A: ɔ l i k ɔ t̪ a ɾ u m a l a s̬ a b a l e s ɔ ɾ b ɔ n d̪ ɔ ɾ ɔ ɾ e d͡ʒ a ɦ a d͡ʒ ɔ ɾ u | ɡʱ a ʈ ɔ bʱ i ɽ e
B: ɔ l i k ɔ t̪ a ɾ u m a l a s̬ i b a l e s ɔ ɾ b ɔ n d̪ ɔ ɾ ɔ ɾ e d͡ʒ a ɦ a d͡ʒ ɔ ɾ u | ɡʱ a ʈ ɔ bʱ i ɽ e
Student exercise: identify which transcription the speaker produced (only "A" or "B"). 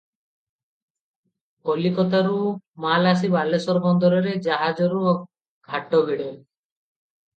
B